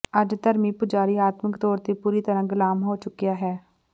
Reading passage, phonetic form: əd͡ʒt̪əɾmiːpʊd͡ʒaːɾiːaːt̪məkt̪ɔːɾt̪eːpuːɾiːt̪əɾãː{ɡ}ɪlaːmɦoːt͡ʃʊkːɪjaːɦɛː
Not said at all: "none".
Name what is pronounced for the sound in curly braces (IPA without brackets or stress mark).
ɡ